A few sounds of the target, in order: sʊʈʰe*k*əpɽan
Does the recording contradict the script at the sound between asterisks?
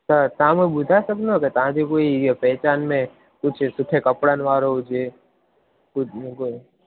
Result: no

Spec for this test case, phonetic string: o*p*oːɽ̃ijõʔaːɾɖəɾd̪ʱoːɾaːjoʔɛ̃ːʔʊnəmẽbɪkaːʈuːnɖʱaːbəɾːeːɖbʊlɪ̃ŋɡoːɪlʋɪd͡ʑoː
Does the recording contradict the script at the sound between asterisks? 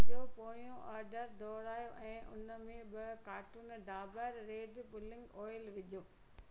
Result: no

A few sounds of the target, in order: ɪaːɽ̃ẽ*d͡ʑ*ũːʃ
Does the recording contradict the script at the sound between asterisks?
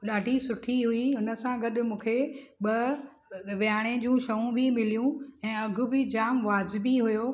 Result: no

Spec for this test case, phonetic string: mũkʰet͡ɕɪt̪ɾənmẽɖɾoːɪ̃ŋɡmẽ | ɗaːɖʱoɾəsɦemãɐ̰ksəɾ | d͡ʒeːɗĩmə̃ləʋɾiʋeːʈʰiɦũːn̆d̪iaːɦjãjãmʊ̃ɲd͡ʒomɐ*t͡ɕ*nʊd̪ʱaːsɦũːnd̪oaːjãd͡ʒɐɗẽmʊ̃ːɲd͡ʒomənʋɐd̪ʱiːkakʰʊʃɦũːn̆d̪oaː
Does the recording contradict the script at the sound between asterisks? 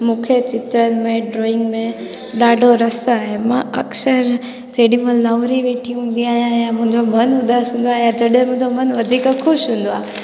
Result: yes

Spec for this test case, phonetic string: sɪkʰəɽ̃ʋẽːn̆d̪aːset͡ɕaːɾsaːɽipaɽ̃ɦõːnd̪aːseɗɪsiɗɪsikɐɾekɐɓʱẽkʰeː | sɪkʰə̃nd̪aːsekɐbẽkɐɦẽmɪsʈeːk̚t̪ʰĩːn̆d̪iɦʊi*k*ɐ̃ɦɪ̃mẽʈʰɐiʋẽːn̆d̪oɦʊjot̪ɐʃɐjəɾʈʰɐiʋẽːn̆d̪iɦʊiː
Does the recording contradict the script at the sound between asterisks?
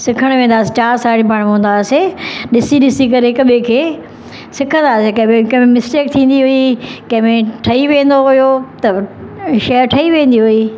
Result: no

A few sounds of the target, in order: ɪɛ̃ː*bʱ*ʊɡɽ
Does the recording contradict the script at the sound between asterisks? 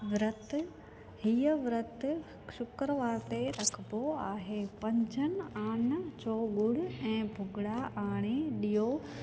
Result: no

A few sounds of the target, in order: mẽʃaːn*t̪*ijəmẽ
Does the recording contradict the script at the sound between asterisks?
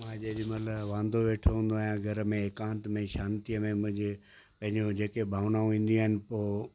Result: no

